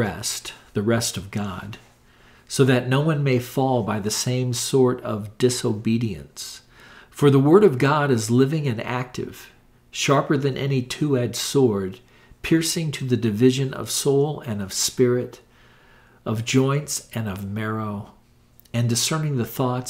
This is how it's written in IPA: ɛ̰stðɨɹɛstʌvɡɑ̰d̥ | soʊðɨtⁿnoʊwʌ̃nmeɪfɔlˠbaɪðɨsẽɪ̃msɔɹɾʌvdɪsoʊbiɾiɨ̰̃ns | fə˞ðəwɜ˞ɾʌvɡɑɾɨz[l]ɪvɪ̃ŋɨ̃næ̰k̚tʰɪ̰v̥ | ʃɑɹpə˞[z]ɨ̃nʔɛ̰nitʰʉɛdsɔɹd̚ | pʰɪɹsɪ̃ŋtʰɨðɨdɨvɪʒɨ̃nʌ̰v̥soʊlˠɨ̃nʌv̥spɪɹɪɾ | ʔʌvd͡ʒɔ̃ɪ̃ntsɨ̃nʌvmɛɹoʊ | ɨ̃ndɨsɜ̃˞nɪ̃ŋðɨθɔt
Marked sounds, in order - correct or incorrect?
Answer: correct, incorrect: ð

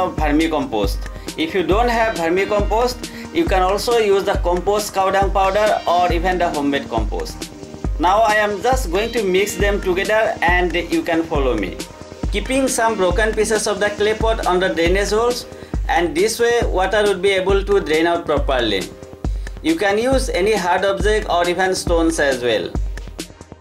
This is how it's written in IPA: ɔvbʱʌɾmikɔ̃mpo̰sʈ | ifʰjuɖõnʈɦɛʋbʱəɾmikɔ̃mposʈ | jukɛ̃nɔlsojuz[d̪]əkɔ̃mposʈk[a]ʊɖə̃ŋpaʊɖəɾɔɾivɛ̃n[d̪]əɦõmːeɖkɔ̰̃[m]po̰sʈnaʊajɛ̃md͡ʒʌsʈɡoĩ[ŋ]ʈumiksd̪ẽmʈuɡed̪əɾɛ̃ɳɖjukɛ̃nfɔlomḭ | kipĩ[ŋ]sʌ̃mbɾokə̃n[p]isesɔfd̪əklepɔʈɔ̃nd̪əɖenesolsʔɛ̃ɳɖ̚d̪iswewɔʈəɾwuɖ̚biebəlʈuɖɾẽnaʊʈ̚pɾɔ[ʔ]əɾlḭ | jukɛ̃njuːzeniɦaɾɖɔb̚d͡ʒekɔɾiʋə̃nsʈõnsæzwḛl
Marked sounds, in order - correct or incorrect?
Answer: correct, correct, correct, correct, correct, correct, correct, incorrect: p

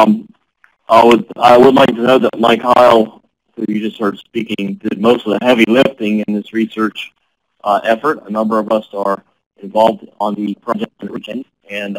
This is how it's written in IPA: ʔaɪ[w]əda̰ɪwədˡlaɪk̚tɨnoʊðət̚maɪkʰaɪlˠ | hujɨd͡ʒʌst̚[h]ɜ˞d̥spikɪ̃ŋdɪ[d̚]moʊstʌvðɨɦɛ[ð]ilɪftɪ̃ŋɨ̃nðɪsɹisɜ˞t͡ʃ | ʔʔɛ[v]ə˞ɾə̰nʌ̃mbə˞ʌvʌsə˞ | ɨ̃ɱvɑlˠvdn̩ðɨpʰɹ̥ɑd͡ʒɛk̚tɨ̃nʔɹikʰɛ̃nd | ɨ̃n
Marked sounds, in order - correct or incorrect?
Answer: correct, correct, correct, incorrect: v, incorrect: f

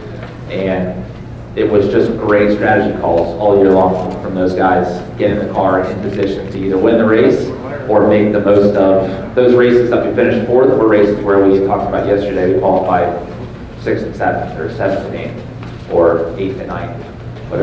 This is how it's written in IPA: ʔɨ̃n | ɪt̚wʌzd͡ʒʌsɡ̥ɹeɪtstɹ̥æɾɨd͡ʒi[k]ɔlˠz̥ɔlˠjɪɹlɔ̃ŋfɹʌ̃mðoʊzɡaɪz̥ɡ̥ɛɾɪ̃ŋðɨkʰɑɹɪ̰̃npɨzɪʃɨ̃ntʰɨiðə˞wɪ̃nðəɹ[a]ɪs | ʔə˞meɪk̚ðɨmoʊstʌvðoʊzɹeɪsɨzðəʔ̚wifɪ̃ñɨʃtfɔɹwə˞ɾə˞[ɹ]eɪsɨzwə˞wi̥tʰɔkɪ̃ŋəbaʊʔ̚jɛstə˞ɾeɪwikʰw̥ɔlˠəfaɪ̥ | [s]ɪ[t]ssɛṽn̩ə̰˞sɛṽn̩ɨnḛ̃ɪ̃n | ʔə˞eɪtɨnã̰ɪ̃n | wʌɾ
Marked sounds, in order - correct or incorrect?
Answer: incorrect: kʰ, incorrect: e, correct, correct, incorrect: k

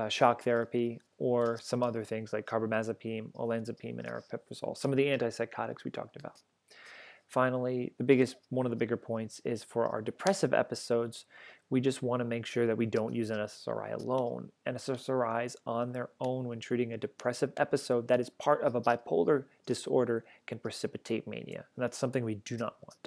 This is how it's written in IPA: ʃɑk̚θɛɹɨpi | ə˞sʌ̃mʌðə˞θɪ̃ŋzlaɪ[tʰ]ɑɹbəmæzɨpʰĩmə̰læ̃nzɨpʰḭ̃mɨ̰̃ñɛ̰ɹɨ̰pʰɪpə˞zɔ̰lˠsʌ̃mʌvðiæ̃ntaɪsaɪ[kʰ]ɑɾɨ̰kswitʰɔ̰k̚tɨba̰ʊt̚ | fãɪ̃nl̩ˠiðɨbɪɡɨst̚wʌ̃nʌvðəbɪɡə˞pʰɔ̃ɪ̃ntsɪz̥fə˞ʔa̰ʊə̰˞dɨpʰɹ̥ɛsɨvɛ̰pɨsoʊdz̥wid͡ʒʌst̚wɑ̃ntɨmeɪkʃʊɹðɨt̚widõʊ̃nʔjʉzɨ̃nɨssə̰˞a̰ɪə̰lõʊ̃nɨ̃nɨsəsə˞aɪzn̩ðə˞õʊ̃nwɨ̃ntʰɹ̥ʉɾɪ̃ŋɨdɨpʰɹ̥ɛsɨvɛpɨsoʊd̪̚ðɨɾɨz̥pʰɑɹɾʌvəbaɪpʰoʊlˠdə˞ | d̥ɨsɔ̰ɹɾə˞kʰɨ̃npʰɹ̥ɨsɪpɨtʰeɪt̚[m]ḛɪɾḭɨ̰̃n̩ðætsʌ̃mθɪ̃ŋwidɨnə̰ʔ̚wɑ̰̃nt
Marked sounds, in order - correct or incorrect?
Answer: incorrect: kʰ, correct, correct

